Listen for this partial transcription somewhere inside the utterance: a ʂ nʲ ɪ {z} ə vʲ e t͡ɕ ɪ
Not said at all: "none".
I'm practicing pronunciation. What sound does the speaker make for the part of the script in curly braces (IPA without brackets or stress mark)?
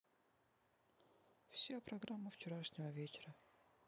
v